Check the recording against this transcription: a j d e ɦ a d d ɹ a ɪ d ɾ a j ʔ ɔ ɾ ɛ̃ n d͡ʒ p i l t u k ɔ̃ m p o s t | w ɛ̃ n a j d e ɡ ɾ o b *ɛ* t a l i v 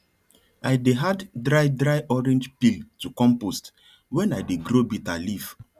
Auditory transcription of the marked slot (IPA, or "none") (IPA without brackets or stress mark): i